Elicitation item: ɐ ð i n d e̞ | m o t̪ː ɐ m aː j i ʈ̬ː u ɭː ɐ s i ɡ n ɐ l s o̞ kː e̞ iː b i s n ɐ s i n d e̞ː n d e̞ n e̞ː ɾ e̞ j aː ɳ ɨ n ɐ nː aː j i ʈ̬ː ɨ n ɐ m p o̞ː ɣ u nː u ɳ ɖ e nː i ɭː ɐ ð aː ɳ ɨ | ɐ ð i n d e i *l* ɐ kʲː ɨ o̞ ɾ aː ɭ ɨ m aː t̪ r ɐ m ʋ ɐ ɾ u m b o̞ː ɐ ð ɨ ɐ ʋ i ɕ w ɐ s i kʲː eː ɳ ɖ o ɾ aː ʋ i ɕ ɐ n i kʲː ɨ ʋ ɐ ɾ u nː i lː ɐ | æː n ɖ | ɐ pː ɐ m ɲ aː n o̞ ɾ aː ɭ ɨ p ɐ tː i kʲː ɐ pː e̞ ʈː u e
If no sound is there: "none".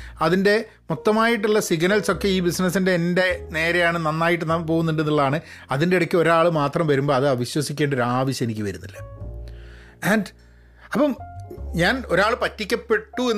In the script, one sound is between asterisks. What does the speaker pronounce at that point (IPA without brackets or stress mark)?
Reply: ɽ